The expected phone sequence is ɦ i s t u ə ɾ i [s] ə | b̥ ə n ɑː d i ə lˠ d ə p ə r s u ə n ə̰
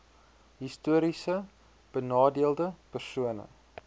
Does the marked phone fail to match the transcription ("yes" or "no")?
no